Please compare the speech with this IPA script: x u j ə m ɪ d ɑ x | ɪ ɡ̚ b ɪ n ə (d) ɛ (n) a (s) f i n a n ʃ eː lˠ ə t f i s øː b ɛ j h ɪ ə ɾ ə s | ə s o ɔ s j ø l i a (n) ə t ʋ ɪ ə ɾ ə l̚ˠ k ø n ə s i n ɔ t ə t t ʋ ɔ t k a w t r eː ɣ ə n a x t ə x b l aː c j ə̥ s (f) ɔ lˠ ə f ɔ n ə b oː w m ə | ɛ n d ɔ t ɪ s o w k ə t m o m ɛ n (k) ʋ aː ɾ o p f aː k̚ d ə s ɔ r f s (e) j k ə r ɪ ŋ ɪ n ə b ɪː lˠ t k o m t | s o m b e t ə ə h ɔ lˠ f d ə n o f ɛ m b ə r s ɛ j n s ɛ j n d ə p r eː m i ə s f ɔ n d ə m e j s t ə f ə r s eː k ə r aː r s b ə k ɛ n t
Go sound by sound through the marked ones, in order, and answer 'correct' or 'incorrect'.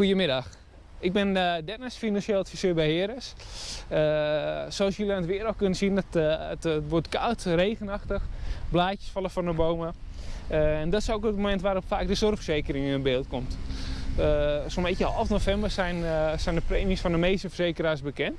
correct, correct, correct, correct, correct, incorrect, correct

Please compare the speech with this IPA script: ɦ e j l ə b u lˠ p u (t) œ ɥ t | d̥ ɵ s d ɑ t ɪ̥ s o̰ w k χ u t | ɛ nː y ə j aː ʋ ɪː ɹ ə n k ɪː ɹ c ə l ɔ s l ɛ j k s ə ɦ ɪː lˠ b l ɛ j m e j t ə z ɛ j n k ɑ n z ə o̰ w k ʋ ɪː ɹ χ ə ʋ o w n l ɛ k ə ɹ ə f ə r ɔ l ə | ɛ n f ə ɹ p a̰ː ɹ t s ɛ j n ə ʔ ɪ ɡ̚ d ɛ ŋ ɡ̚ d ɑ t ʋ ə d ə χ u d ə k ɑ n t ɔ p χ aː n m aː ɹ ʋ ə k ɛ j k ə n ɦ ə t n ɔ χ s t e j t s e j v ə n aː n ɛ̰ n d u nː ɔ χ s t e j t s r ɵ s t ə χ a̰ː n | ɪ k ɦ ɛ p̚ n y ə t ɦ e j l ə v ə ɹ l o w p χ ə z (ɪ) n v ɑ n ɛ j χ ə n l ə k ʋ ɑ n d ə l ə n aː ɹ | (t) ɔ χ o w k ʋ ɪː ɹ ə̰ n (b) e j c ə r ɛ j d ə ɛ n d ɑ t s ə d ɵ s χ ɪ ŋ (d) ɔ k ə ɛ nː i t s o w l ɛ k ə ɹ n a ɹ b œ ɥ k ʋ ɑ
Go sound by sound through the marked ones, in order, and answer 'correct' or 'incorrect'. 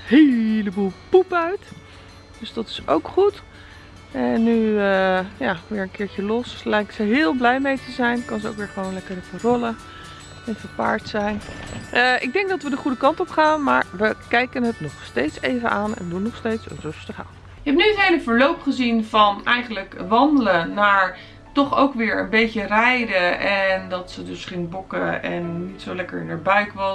incorrect, incorrect, correct, correct, incorrect

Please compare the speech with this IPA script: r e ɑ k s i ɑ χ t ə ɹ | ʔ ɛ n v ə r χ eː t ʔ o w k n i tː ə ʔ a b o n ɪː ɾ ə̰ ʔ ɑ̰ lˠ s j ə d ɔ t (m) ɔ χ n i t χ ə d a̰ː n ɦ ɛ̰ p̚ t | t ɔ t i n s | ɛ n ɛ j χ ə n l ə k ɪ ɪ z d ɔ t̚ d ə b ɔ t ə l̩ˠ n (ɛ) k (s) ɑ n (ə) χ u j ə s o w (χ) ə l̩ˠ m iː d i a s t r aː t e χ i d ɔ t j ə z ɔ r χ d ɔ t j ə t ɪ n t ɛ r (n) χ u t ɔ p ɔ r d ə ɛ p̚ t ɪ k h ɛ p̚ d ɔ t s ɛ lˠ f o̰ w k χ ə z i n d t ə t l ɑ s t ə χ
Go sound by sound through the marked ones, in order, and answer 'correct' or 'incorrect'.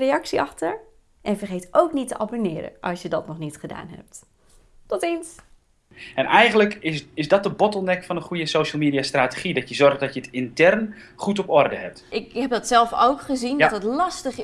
incorrect, correct, incorrect, correct, incorrect, correct

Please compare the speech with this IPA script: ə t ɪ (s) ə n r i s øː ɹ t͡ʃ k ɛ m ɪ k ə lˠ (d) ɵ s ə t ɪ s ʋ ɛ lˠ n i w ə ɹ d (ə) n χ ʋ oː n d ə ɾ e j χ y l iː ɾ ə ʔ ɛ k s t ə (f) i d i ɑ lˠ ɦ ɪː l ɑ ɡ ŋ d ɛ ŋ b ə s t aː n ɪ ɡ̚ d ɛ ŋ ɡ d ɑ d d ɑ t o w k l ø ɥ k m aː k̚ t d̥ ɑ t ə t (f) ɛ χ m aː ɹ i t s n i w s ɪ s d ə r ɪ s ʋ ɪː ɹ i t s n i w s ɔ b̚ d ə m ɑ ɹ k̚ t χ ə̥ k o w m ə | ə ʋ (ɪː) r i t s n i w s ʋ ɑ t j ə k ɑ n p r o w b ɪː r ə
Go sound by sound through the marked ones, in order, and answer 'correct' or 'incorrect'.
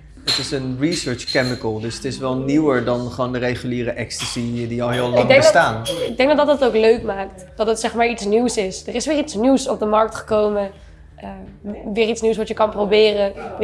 correct, correct, incorrect, incorrect, incorrect, correct

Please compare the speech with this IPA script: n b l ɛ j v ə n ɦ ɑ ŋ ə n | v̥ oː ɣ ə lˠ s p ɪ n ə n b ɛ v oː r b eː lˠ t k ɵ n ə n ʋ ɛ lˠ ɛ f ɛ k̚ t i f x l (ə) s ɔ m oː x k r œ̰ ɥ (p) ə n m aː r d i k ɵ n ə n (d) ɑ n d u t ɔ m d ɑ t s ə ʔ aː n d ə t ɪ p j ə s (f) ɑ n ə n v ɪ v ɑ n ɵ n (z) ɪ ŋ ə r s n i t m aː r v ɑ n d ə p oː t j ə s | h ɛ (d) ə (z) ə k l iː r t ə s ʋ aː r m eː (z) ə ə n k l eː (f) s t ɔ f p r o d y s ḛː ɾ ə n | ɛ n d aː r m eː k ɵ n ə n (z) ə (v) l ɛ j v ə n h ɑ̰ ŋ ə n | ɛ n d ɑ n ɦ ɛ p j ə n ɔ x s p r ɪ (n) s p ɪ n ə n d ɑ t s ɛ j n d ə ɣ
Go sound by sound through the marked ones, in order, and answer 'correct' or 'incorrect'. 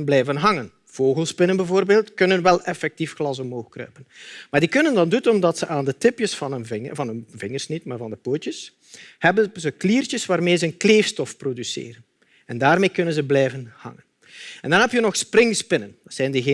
incorrect, correct, correct, correct, incorrect, incorrect, correct, correct, correct, correct, incorrect, incorrect

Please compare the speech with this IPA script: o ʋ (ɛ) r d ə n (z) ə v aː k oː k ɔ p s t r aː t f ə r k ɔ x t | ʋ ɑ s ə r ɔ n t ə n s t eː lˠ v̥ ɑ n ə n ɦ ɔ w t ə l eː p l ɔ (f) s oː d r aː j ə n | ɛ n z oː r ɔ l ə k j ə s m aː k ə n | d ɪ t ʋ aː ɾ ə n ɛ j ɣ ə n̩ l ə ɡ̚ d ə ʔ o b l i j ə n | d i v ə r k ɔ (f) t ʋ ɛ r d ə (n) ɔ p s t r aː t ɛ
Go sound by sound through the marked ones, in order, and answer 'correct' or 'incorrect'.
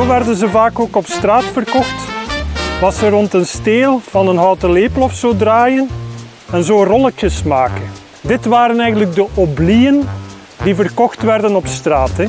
correct, correct, correct, incorrect, correct

